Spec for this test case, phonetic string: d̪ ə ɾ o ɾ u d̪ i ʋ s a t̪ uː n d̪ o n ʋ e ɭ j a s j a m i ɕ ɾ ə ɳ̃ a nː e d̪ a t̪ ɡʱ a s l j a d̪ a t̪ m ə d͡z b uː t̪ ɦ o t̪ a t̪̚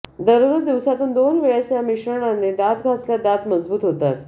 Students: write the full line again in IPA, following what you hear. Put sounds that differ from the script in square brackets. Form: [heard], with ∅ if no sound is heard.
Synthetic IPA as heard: d̪ ə ɾ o ɾ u d̪ i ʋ s a t̪ uː n d̪ o n ʋ e ɭ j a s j a m i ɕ ɾ ə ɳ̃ a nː e d̪ a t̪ ɡʱ a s l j a d̪ a t̪ m ə d͡z b uː t̪ ɦ o t̪ a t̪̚